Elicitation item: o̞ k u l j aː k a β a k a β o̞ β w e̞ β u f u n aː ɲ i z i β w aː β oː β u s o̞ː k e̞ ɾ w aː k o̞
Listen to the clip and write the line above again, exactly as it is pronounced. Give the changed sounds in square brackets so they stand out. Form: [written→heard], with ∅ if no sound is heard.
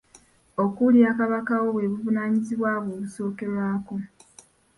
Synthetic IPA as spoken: o̞ k u l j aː k a β a k a [β→w] o̞ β w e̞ β u [f→v] u n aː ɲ i z i β w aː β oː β u s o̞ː k e̞ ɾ w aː k o̞